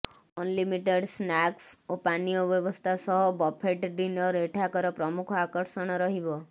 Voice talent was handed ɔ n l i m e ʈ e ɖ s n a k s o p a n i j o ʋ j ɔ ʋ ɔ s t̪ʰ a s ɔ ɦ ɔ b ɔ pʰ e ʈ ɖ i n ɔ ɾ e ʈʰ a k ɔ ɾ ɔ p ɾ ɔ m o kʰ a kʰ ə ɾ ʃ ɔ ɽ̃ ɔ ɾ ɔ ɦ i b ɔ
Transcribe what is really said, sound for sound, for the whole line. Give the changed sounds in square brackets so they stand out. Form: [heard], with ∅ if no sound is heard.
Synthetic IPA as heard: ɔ n l i m [i] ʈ e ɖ s n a k s o p a n i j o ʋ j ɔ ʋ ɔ s t̪ʰ a s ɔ ɦ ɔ b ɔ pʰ e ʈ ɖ i n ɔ ɾ e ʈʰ a k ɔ ɾ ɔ p ɾ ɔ m [u] kʰ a [k] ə ɾ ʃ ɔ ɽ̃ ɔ ɾ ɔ ɦ i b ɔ